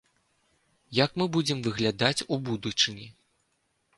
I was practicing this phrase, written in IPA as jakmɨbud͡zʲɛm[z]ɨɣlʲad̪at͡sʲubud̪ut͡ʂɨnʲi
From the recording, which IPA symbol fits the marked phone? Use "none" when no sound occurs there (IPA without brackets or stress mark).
v